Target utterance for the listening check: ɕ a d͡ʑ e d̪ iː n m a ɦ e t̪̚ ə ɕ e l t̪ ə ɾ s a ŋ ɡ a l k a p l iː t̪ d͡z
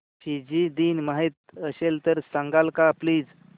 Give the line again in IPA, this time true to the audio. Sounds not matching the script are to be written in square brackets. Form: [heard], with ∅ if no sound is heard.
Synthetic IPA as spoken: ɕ [i] d͡ʑ [i] d̪ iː n m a ɦ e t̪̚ ə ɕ e l t̪ ə ɾ s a ŋ ɡ a l k a p l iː [∅] d͡z

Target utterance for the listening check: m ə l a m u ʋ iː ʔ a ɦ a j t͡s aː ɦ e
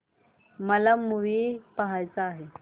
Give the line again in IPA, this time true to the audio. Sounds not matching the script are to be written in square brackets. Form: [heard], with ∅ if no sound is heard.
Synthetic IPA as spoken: m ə l a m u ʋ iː [p] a ɦ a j t͡s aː ɦ e

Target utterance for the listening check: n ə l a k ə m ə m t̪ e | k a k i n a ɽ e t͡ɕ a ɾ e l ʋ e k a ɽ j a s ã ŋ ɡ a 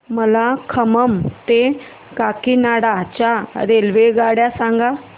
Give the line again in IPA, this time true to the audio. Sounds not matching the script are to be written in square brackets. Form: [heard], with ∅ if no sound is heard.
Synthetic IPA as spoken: [m] ə l a [kʰ] ə m ə m t̪ e | k a k i n a ɽ [a] t͡ɕ a ɾ e l ʋ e [ɡ] a ɽ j a s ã ŋ ɡ a

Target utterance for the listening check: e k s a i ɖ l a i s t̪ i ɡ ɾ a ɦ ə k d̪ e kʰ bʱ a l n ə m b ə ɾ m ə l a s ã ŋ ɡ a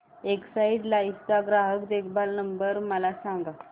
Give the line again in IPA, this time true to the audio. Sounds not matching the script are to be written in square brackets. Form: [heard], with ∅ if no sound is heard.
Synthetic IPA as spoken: e k s a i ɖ l a i s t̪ [a] ɡ ɾ a ɦ ə k d̪ e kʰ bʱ a l n ə m b ə ɾ m ə l a s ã ŋ ɡ a

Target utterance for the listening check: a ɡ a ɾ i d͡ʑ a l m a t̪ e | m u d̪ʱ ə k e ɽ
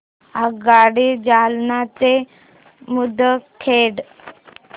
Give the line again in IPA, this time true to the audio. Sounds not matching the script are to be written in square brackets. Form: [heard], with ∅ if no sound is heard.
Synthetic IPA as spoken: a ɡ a [ɽ] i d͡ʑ a l [n] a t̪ e | m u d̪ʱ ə [kʰ] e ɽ

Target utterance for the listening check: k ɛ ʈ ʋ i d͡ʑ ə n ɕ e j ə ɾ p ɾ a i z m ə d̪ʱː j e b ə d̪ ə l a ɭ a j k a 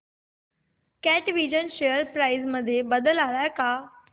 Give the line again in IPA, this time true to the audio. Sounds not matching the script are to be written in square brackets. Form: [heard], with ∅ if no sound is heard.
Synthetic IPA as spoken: k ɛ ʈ ʋ i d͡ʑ ə n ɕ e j ə ɾ p ɾ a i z m ə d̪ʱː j e b ə d̪ ə l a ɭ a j k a

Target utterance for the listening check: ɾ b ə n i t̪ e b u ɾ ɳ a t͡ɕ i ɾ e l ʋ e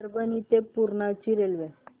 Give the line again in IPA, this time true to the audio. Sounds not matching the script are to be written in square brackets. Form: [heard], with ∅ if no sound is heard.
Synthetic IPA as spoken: ɾ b ə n i t̪ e [p] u ɾ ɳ a t͡ɕ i ɾ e l ʋ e

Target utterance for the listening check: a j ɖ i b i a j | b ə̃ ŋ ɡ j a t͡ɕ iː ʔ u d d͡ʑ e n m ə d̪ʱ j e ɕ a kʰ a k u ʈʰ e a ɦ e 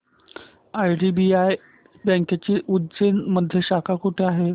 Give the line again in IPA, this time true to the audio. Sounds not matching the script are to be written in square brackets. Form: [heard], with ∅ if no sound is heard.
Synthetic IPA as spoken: a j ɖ i b i a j | b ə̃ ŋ [k] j a t͡ɕ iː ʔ u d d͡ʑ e n m ə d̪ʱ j e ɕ a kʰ a k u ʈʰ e a ɦ e

